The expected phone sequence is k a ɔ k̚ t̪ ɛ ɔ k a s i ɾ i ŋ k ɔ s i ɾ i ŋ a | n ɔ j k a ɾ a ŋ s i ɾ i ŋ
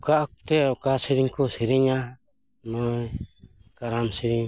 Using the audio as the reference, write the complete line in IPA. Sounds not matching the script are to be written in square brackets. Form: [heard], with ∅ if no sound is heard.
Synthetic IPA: k a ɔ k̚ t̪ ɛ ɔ k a s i ɾ i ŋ k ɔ s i ɾ i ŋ a | n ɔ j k a ɾ a [m] s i ɾ i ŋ